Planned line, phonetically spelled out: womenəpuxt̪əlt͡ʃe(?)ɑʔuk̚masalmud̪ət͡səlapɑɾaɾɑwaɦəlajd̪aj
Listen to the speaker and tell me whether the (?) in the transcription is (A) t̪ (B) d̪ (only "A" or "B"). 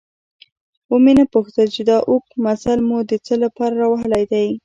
B